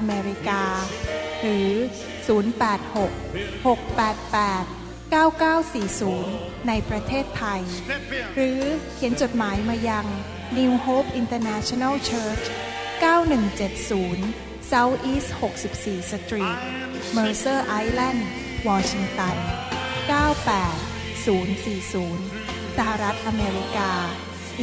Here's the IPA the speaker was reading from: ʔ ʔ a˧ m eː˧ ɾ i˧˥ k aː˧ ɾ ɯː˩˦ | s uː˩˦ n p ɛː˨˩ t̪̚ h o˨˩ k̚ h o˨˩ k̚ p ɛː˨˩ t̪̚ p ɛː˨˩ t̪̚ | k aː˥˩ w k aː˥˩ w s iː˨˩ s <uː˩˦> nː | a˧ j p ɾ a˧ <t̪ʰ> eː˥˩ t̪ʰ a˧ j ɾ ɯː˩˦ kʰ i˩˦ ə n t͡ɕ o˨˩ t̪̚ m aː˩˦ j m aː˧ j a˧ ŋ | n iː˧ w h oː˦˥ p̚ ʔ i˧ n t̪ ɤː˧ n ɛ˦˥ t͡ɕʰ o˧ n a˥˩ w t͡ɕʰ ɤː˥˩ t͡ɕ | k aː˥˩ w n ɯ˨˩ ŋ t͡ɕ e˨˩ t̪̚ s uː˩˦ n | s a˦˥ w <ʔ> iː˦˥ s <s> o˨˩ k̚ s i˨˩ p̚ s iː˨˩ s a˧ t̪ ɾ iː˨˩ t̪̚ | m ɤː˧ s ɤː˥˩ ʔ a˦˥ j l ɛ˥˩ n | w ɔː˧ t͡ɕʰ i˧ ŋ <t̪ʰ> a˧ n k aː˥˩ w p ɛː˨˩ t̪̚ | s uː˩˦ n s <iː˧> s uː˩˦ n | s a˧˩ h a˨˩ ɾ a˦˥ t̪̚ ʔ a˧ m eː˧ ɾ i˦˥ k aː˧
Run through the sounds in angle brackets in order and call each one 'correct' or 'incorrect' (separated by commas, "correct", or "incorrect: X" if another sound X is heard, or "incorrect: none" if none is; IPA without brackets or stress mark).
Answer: correct, correct, correct, incorrect: h, incorrect: t̪, incorrect: iː˨˩